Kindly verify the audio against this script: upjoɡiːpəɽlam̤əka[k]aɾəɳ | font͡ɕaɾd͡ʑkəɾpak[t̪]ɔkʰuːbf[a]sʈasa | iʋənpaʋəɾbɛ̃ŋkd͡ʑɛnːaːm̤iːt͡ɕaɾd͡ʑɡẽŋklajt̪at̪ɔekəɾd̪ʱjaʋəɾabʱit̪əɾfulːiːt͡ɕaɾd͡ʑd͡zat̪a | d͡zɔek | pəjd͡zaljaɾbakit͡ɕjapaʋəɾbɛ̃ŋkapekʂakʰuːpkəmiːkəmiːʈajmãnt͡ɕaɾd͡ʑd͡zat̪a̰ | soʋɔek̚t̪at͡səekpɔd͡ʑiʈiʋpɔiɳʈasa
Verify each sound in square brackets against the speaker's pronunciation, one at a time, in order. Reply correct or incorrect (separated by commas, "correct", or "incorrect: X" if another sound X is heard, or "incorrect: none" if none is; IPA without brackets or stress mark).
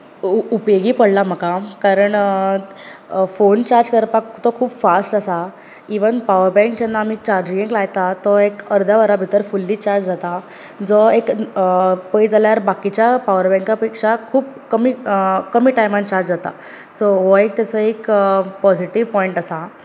correct, correct, correct